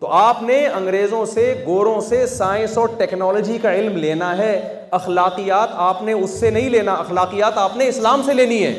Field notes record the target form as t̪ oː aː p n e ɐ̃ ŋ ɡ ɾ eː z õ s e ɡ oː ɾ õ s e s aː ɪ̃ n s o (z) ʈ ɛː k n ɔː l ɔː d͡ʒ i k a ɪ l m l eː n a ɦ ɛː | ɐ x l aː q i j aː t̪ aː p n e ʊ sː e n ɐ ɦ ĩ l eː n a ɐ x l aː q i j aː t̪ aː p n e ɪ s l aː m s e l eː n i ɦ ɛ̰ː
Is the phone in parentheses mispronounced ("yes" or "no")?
yes